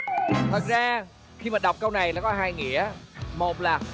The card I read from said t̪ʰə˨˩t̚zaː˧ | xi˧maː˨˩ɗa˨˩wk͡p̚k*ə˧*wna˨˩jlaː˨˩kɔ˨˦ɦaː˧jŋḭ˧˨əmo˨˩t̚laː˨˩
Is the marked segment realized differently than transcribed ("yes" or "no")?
no